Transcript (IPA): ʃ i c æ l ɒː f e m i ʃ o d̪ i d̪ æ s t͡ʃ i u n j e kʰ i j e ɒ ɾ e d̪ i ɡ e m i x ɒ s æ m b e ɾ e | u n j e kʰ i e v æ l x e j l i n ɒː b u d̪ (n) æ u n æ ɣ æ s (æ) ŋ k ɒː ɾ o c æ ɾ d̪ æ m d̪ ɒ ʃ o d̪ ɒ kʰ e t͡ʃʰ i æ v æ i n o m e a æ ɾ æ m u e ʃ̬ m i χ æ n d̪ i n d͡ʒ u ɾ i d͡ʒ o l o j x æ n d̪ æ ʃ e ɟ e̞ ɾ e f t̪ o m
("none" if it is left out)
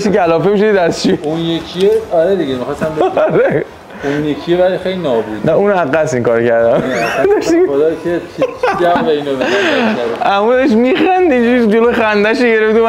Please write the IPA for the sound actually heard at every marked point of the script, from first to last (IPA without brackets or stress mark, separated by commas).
n, i